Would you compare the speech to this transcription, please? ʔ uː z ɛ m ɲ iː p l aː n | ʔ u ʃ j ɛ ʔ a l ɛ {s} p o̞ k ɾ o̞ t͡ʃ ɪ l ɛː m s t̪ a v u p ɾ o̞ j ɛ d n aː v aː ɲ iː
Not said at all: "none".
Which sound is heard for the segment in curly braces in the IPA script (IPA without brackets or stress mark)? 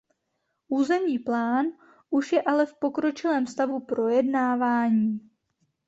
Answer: f